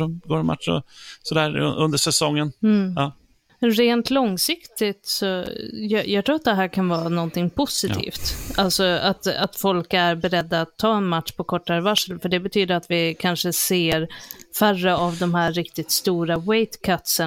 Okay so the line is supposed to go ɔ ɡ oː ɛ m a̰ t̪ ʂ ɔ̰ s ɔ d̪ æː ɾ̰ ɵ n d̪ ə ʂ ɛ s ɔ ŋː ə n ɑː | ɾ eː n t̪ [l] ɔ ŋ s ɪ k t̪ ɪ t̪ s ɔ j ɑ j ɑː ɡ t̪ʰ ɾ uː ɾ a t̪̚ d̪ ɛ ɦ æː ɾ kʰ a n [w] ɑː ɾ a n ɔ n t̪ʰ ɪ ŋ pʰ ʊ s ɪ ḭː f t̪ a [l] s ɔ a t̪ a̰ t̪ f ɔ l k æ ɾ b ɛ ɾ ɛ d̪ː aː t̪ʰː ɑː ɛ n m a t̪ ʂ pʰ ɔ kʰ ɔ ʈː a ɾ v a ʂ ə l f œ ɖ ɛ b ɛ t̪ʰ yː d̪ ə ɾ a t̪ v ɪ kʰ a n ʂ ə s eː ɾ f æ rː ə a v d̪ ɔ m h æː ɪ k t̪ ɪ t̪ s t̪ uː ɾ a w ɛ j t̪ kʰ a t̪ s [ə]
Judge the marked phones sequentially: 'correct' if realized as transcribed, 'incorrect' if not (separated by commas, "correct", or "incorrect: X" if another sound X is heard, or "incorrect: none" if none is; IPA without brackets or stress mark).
correct, incorrect: v, correct, correct